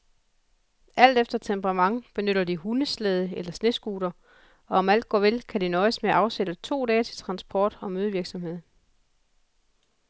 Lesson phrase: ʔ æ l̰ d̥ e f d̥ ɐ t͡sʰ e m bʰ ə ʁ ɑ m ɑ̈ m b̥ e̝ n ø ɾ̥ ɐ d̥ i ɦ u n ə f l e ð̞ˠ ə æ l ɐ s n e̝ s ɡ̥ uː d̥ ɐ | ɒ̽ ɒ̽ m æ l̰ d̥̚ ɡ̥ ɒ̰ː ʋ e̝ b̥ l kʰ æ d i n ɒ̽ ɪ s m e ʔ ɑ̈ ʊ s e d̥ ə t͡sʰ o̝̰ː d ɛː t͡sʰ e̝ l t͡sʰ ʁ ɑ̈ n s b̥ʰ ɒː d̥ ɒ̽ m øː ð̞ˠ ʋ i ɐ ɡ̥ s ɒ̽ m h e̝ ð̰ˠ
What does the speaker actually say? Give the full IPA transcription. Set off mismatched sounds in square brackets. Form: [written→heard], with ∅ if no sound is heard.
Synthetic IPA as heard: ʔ æ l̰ d̥ e f d̥ ɐ t͡sʰ e m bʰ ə ʁ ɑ m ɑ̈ [m→ŋ] b̥ e̝ n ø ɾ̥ ɐ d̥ i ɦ u n ə [f→s] l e ð̞ˠ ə [æ→e] l ɐ s n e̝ s ɡ̥ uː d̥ ɐ | ɒ̽ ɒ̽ m æ l̰ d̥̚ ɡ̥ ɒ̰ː ʋ e̝ [b̥→∅] l kʰ æ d i n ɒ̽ ɪ s m e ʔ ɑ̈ ʊ s e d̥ ə t͡sʰ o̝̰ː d ɛː t͡sʰ e̝ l t͡sʰ ʁ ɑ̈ n s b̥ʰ ɒː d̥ ɒ̽ m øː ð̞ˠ ʋ i ɐ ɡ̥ s ɒ̽ m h e̝ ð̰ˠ